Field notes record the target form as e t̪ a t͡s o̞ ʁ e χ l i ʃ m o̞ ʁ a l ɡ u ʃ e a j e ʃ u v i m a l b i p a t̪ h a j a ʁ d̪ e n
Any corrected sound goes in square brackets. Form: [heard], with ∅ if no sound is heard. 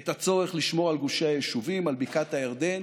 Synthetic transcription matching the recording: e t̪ a t͡s o̞ ʁ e χ l i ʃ m o̞ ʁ a l ɡ u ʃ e a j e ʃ u v i m a l b i [k] a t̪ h a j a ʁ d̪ e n